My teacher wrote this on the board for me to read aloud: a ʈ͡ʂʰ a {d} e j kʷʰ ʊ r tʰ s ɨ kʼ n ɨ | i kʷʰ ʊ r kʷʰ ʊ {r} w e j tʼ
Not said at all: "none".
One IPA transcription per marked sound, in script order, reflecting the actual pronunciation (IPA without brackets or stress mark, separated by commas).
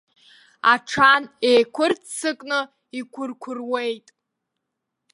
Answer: n, r